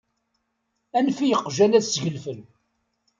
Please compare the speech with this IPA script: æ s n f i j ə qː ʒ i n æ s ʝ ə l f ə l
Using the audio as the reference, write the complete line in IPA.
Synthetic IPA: æ n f i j ə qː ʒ æ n æ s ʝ ə l f ə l